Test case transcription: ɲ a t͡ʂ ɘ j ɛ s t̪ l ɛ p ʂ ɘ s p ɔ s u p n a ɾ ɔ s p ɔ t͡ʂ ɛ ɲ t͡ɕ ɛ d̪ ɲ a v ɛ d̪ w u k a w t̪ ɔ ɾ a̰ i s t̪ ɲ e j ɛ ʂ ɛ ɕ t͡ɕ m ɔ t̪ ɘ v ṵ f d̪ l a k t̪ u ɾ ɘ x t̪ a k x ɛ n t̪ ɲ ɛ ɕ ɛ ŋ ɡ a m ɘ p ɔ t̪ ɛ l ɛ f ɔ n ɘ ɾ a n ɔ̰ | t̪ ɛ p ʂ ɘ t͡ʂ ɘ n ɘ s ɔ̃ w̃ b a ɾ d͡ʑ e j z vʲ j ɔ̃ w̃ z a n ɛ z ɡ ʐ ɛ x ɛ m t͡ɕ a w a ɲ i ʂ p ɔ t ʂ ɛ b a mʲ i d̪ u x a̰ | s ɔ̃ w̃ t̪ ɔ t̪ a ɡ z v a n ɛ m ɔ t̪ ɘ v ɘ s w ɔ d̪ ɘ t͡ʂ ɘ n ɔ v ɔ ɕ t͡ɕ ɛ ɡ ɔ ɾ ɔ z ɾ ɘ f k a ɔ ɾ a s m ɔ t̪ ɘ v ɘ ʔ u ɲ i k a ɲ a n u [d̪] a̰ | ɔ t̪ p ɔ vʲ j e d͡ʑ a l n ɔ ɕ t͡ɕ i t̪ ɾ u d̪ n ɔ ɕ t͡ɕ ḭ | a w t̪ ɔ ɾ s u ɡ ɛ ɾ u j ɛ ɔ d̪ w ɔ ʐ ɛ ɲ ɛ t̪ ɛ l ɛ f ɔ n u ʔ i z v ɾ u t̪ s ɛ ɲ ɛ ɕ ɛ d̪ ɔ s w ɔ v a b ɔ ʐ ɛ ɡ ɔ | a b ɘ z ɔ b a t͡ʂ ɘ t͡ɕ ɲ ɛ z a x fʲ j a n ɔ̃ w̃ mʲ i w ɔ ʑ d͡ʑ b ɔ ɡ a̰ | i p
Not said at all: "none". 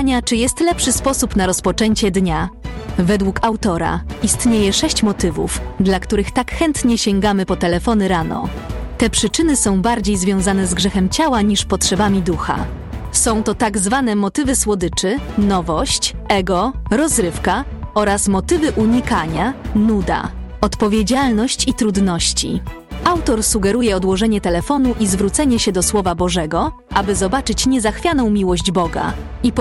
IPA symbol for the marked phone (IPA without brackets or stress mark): d̪